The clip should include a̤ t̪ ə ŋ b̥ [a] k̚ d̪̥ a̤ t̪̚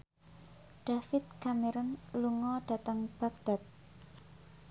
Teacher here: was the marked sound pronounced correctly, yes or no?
yes